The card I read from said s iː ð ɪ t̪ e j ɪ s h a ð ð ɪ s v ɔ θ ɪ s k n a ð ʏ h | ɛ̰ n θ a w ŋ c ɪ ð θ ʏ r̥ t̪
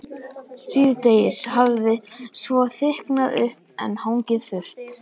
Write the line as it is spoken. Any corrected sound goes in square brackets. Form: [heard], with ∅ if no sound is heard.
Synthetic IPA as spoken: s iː ð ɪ t̪ e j ɪ s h a [v] ð ɪ s v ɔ θ ɪ [h] k n a ð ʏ h | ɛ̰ n [h] a w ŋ c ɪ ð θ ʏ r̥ t̪